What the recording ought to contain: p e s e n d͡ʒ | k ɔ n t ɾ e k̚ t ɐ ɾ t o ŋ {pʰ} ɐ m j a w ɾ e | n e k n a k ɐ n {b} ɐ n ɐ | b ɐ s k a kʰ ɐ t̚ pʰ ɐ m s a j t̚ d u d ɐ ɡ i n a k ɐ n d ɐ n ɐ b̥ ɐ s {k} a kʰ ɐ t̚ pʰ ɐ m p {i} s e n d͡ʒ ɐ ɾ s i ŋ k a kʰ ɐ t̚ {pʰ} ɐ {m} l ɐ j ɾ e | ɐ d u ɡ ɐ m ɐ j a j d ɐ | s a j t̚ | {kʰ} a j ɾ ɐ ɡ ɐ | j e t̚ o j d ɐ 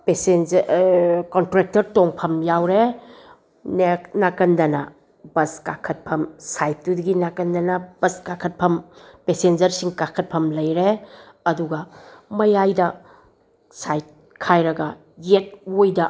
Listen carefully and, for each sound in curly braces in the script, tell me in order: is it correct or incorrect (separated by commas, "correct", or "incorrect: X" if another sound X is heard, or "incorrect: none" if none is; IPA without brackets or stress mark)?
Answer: correct, incorrect: d, correct, incorrect: e, correct, correct, correct